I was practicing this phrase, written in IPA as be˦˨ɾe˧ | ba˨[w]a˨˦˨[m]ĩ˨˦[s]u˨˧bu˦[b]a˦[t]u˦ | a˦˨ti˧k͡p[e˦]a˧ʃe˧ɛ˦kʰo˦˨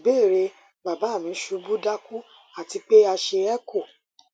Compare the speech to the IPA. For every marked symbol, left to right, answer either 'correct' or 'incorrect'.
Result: incorrect, correct, incorrect, incorrect, incorrect, correct

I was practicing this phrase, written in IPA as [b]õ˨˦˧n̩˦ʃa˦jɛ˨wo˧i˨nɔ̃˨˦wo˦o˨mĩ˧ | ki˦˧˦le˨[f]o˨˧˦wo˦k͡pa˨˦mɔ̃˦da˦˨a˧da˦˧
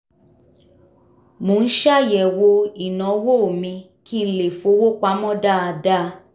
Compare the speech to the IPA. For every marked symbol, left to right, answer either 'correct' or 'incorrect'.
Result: incorrect, correct

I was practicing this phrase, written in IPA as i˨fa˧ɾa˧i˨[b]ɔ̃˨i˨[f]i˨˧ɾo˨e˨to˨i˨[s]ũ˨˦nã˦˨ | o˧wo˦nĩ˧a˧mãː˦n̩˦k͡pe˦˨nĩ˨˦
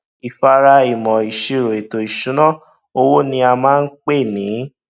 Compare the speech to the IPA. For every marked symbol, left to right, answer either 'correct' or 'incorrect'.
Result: incorrect, incorrect, incorrect

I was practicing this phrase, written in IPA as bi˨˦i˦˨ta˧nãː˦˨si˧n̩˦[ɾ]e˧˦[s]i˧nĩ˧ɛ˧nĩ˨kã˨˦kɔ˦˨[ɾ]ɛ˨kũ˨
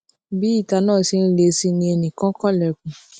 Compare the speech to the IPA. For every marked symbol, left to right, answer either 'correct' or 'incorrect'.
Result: incorrect, correct, incorrect

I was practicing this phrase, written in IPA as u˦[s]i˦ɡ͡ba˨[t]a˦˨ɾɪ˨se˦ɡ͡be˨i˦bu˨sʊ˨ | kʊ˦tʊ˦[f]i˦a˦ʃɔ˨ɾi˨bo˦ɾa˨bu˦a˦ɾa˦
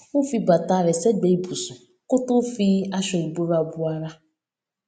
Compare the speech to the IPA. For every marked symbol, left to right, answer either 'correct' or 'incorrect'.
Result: incorrect, correct, correct

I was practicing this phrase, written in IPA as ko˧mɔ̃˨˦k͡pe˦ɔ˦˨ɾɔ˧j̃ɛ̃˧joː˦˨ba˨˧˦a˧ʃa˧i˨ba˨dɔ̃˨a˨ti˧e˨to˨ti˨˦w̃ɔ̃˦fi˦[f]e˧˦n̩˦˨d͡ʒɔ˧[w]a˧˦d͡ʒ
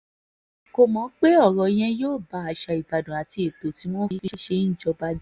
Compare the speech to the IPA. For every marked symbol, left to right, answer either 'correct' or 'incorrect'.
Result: incorrect, incorrect

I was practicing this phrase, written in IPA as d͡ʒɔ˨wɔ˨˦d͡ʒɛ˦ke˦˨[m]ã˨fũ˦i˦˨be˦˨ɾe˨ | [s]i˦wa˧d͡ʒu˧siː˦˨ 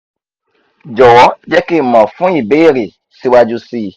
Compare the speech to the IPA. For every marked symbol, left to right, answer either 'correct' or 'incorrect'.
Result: correct, correct

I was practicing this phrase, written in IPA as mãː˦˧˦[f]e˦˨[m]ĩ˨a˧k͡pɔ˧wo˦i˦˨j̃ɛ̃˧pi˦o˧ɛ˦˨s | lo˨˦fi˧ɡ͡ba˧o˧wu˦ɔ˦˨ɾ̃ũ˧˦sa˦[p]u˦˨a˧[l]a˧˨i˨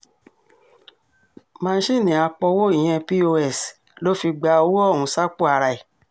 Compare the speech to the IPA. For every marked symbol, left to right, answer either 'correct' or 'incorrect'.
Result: incorrect, incorrect, incorrect, incorrect

